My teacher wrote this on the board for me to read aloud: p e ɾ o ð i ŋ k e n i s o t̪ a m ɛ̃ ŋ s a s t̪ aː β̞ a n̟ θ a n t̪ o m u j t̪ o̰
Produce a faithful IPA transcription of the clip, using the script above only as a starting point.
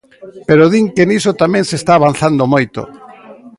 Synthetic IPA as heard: p e ɾ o ð i ŋ k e n i s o t̪ a m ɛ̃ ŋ s e s t̪ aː β̞ a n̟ θ a n d̪ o m o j t̪ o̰